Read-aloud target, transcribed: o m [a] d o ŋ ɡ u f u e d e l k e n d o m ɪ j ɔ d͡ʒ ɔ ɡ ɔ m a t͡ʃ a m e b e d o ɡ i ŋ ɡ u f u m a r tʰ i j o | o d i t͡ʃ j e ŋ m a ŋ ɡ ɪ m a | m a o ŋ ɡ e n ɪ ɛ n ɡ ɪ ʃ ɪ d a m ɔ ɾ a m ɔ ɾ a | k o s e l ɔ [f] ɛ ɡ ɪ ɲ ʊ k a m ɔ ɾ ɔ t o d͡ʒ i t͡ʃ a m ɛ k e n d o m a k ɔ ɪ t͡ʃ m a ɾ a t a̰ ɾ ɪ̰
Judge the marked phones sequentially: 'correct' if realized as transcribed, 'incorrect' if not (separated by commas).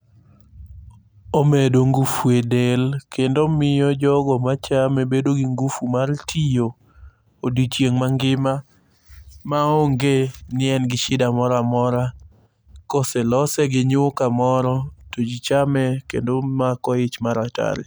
incorrect, incorrect